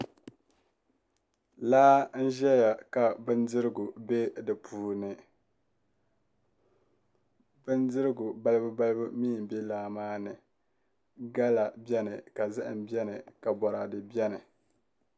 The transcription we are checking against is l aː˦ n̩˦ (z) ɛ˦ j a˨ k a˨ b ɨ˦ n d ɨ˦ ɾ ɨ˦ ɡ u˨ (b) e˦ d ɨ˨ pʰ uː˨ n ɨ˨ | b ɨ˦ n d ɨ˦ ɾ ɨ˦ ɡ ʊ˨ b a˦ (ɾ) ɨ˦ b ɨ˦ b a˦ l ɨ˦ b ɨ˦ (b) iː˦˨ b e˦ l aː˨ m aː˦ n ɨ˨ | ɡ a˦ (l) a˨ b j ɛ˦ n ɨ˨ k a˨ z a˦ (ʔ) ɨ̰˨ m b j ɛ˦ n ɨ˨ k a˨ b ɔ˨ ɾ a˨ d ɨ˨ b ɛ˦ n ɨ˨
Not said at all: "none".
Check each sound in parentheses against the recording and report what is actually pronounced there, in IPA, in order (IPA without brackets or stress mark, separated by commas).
ʒ, b, l, m, l, ʔ